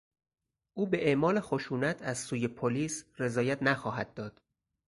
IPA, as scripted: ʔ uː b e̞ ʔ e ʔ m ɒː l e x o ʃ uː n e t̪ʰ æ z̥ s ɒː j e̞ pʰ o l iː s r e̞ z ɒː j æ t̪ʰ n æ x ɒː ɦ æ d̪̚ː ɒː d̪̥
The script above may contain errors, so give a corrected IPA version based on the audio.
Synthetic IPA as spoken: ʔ uː b e̞ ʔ e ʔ m ɒː l e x o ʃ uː n æ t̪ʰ æ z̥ s uː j e̞ pʰ o l iː s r e̞ z ɒː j æ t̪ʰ n æ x ɒː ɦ æ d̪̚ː ɒː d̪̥